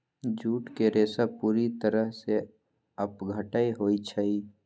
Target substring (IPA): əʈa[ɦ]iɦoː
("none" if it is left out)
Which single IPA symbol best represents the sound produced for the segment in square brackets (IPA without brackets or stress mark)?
none